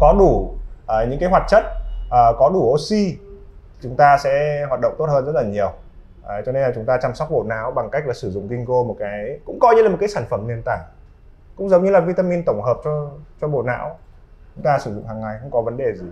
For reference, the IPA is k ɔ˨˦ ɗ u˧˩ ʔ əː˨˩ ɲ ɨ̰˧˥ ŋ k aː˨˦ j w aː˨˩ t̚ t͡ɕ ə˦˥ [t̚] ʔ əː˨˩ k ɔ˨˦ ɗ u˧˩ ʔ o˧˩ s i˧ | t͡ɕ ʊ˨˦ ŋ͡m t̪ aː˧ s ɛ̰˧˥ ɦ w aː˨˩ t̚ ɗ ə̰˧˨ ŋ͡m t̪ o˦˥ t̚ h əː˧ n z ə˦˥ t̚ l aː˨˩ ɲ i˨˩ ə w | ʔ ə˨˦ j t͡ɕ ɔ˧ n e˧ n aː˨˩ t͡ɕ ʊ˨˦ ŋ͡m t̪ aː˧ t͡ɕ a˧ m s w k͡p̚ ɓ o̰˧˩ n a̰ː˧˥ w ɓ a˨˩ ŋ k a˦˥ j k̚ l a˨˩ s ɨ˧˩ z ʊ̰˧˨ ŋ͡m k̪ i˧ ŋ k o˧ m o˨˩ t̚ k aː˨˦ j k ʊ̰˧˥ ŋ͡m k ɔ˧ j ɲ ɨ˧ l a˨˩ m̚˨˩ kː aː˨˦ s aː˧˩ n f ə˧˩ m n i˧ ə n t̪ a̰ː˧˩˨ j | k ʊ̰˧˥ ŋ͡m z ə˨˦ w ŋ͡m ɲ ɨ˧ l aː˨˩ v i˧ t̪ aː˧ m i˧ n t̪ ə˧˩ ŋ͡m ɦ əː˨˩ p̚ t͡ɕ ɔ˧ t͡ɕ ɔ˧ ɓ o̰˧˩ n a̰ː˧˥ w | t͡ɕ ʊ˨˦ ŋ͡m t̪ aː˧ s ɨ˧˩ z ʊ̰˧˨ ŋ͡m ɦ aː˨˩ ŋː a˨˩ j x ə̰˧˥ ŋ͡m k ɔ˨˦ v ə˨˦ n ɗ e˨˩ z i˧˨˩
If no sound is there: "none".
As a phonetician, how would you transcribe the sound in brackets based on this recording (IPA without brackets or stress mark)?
t̚